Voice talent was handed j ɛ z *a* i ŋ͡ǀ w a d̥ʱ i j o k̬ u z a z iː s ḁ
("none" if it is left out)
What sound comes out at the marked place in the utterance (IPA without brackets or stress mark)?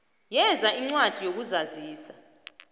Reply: a